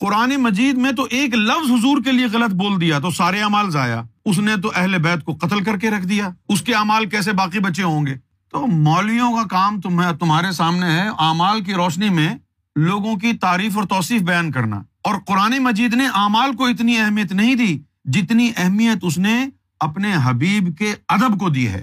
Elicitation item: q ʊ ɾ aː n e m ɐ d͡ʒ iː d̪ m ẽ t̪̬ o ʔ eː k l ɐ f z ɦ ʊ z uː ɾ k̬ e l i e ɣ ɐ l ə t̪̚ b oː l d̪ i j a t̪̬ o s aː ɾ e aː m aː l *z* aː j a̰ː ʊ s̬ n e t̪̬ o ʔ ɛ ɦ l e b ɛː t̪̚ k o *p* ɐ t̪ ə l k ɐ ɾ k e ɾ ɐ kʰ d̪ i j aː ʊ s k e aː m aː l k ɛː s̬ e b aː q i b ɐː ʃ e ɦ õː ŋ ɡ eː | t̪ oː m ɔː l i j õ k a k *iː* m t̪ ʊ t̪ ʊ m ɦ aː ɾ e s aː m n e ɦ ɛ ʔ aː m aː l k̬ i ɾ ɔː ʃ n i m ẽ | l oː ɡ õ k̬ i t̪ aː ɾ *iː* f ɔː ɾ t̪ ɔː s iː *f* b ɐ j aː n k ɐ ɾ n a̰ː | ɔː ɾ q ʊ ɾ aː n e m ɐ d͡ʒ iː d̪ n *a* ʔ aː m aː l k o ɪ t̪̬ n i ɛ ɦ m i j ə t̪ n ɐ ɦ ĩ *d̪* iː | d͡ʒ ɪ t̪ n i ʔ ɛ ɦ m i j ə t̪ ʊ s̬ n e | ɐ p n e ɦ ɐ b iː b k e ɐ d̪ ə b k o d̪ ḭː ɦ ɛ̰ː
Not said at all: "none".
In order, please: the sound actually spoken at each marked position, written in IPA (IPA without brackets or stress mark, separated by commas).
z, q, aː, iː, f, e, d̪